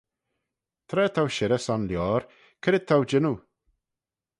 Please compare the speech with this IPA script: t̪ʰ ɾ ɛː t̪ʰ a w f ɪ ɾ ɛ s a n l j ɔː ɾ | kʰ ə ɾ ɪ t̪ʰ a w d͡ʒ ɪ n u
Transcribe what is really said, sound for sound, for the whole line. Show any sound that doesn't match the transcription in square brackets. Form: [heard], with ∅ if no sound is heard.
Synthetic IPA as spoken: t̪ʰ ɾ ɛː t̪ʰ a w [ʃ] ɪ ɾ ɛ s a n l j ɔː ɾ | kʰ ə ɾ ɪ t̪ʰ a w d͡ʒ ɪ n u